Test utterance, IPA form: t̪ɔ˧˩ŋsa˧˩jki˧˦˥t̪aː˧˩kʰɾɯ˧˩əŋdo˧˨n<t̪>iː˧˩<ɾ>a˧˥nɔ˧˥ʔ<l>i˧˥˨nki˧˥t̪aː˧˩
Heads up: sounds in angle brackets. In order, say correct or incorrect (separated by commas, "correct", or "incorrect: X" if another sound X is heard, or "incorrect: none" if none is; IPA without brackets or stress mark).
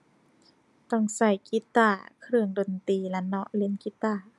correct, incorrect: l, correct